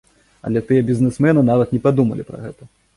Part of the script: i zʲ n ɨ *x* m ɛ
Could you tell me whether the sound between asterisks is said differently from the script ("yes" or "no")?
yes